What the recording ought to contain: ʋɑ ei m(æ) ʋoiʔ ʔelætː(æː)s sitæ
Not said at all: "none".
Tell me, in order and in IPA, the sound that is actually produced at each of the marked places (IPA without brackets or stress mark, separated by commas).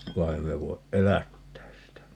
e, æː